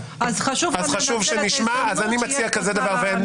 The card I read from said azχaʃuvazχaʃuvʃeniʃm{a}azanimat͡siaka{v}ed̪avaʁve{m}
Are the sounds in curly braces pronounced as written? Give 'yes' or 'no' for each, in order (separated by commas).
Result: yes, no, no